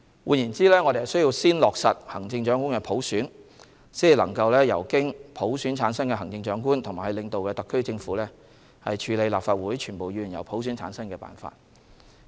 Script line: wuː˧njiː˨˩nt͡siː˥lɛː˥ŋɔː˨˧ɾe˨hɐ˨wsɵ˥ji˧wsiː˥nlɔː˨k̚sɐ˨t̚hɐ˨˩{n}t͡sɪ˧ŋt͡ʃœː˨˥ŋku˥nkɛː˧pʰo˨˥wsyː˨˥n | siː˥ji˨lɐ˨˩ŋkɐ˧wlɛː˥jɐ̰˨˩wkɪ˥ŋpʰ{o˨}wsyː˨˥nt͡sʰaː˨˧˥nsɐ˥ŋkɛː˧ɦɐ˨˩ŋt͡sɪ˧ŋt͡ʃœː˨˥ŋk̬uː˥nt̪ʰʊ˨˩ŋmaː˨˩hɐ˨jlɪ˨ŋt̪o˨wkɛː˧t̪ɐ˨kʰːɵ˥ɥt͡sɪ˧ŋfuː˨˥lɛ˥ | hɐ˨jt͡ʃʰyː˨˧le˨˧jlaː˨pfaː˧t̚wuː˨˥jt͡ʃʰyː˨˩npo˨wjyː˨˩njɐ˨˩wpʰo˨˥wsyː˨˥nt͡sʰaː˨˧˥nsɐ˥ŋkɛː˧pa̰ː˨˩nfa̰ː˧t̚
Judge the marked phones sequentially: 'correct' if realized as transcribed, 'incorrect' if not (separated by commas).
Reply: incorrect, incorrect